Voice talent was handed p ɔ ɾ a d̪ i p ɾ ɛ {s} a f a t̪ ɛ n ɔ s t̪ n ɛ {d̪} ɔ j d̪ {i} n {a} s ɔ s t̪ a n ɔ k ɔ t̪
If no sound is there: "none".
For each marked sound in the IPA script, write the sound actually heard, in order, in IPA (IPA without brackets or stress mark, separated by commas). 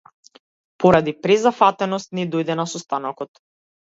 z, d̪, ɛ, a